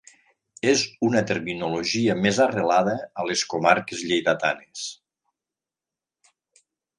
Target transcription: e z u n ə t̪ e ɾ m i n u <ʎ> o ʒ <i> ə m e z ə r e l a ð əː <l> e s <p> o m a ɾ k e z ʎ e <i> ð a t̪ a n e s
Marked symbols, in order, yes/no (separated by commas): no, yes, yes, no, no